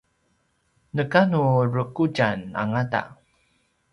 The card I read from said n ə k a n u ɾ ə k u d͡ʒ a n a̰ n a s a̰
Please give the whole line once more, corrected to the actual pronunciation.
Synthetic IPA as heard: n ə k a n u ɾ ə k u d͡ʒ a n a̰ ŋ a t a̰